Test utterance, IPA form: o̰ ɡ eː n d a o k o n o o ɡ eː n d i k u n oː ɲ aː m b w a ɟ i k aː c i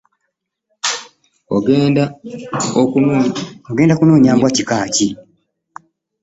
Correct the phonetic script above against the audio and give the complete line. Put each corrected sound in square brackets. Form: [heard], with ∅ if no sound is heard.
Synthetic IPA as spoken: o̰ ɡ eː n d a o k [u] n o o ɡ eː n d [a] k u n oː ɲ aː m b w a [c] i k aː c i